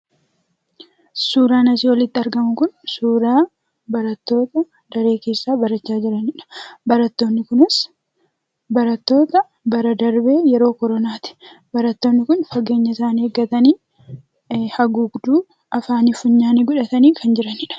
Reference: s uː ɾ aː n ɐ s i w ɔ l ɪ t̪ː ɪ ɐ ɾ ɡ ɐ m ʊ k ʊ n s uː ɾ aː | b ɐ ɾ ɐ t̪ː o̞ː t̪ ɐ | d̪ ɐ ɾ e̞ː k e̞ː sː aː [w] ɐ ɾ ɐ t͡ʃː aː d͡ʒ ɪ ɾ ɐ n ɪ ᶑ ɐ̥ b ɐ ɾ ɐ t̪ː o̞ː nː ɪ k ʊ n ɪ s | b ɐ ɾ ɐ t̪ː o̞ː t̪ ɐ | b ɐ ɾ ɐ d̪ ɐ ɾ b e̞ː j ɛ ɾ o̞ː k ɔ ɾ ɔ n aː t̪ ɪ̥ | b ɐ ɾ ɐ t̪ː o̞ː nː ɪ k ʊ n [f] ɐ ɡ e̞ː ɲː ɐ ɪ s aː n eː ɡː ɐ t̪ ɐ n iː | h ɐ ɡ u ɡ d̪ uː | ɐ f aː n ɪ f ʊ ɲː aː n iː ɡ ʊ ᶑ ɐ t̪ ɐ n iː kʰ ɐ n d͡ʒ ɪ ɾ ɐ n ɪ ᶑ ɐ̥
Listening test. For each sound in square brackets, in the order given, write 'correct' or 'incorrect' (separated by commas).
incorrect, correct